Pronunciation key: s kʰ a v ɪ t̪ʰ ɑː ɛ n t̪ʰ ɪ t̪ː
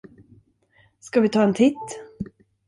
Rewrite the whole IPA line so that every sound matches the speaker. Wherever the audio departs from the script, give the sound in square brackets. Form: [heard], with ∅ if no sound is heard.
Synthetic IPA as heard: s [k] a v ɪ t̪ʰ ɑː ɛ n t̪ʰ ɪ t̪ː